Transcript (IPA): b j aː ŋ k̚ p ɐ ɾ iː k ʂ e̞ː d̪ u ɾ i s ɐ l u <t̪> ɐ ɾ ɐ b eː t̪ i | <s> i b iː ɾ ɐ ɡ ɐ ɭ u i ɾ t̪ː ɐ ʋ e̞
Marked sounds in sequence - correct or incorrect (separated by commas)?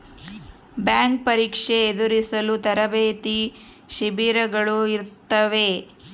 correct, incorrect